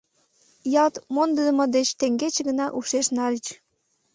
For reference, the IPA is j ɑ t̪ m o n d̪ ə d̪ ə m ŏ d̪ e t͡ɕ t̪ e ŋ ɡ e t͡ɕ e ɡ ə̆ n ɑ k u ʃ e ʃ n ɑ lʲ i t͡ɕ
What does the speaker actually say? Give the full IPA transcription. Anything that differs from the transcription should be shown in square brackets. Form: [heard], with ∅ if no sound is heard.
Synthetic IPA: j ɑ t̪ m o n d̪ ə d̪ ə m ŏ d̪ e t͡ɕ t̪ e ŋ ɡ e t͡ɕ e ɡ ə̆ n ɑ [ʔ] u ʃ e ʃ n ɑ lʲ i t͡ɕ